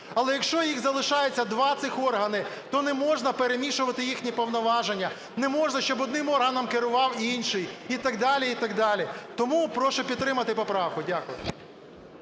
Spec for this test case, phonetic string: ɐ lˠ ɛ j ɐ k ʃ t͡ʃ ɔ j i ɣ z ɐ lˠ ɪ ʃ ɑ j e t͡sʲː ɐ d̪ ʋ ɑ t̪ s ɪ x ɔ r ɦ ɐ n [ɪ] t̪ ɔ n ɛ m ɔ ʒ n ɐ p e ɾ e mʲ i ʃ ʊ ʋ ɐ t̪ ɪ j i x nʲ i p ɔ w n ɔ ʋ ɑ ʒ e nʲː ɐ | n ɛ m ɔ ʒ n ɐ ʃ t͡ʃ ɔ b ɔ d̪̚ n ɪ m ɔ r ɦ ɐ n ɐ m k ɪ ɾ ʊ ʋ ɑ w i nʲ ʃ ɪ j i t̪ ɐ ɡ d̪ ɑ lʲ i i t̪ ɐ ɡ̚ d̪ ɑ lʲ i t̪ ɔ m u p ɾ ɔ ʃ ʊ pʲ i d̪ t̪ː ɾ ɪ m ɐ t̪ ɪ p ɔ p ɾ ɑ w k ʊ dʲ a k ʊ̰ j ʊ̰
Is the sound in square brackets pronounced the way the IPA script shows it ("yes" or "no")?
yes